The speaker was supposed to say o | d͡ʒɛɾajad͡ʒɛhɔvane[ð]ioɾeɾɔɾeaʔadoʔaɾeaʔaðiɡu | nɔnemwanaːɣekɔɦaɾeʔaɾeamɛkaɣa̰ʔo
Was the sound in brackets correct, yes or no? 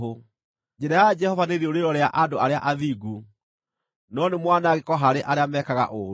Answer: yes